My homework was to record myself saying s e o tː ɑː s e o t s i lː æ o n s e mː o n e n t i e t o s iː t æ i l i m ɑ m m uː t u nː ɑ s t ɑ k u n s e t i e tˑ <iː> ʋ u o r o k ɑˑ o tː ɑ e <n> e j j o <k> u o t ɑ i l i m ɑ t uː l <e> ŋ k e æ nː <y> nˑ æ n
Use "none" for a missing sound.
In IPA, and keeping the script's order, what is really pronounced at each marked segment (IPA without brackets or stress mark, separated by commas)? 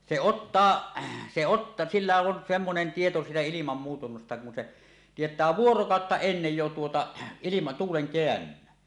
æː, nː, t, e, y